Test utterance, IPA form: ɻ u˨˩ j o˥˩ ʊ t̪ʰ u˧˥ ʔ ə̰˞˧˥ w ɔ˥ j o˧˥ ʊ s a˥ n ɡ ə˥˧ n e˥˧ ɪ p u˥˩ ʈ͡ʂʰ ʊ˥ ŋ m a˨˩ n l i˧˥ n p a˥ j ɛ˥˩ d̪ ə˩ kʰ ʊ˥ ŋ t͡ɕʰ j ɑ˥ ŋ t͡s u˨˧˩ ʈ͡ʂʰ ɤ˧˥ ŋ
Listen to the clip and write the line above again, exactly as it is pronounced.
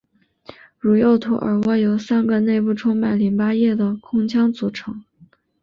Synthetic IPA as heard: ɻ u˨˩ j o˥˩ ʊ t̪ʰ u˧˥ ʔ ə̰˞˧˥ w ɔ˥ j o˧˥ ʊ s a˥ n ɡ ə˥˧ n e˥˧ ɪ p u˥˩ ʈ͡ʂʰ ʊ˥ ŋ m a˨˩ n l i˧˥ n p a˥ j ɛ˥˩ d̪ ə˩ kʰ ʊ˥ ŋ t͡ɕʰ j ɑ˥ ŋ t͡s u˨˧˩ ʈ͡ʂʰ ɤ˧˥ ŋ